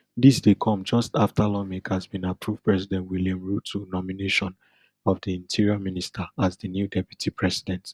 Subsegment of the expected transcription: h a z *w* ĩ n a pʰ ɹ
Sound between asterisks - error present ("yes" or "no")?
yes